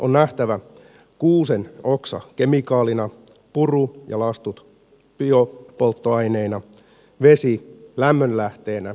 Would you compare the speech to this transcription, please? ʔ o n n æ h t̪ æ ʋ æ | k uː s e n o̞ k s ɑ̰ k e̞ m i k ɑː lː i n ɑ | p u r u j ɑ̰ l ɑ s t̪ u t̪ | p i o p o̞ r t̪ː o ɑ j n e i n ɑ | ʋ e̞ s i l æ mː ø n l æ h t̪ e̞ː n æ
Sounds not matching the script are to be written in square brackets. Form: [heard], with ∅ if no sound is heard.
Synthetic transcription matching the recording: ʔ o n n æ h t̪ æ ʋ æ | k uː s e n o̞ k s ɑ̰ k e̞ m i k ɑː [l] i n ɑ | p u r u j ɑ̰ l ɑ s t̪ u t̪ | p i o p o̞ [l] t̪ː o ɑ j n e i n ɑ | ʋ e̞ s i l æ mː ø n l æ h t̪ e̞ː n æ